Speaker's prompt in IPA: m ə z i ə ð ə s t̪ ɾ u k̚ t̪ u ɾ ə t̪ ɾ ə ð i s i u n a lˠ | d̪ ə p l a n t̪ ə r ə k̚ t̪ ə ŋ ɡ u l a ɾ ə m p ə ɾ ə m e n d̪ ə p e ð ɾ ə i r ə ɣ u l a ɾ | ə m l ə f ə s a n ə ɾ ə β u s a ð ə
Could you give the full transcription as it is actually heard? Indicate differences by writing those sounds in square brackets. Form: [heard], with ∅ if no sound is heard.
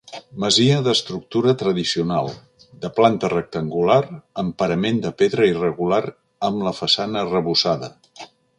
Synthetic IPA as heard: m ə z i ə ð ə s t̪ ɾ u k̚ t̪ u ɾ ə t̪ ɾ ə ð i s i u n a lˠ | d̪ ə p l a n t̪ ə r ə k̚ t̪ ə ŋ ɡ u l a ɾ ə m p ə ɾ ə m e n d̪ ə p e ð ɾ ə i r ə ɣ u l a ɾ | ə m l ə f ə s a n ə [r] ə β u s a ð ə